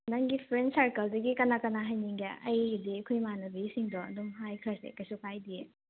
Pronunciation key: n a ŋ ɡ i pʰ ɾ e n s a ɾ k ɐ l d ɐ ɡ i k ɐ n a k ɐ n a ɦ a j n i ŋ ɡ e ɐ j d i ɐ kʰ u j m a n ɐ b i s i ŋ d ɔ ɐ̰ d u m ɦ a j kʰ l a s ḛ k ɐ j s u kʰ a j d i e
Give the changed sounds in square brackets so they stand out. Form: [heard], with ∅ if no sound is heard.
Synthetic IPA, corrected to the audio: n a ŋ ɡ i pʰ ɾ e n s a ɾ k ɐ l d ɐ ɡ i k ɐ n a k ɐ n a ɦ a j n i ŋ ɡ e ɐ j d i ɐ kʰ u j m a n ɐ b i s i ŋ d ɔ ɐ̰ d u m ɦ a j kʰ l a s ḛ k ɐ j s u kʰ a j d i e